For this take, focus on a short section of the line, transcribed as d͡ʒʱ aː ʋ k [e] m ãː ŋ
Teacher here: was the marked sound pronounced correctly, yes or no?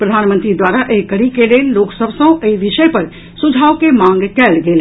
yes